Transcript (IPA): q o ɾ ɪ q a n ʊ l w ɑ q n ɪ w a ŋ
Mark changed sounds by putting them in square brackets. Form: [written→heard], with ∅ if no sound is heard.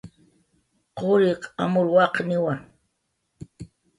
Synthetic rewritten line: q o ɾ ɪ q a [n→m] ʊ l w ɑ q n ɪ w a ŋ